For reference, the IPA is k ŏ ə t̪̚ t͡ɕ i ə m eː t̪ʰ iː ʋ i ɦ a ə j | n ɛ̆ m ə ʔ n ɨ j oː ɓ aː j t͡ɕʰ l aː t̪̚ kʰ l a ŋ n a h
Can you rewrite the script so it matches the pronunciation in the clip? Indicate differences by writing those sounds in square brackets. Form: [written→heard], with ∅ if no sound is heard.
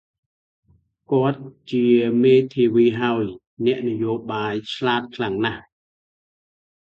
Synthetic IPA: k ŏ ə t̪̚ t͡ɕ i ə m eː t̪ʰ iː ʋ [i→iː] ɦ a ə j | n ɛ̆ [m→∅] ə ʔ n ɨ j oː ɓ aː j t͡ɕʰ l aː t̪̚ kʰ l a ŋ n a h